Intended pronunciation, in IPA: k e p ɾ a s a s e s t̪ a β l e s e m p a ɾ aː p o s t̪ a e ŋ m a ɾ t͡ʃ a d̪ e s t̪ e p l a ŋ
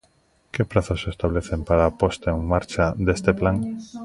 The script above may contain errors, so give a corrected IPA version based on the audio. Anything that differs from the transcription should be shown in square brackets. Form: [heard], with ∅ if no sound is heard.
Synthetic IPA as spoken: k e p ɾ a [θ] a s e s t̪ a β l e [θ] e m p a ɾ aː p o s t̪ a e ŋ m a ɾ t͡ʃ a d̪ e s t̪ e p l a ŋ